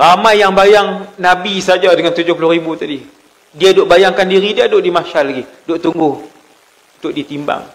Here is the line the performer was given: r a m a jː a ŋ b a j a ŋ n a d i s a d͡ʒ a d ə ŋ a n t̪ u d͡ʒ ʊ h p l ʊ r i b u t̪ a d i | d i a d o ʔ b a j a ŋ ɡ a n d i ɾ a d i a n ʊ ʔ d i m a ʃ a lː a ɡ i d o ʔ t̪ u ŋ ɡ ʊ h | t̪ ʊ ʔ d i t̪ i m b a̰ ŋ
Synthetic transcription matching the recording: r a m a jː a ŋ b a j a ŋ n a b i s a d͡ʒ a d ə ŋ a n t̪ u d͡ʒ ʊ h p l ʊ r i b u t̪ a d i | d i a d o ʔ b a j a ŋ k a n d i ɾ i d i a d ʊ ʔ d i m a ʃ a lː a ɡ i d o ʔ t̪ u ŋ ɡ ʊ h | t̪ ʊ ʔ d i t̪ i m b a̰ ŋ